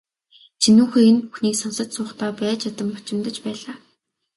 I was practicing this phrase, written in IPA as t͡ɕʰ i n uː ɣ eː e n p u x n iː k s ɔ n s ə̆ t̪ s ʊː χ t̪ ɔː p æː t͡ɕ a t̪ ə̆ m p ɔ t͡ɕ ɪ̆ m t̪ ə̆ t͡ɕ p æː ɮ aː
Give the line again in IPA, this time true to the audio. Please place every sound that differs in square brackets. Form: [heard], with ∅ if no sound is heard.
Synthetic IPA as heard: t͡ɕʰ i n uː [x] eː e n p u x n iː k s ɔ n s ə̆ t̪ s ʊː χ t̪ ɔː p æː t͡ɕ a t̪ ə̆ m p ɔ t͡ɕ ɪ̆ m t̪ ə̆ t͡ɕ p æː ɮ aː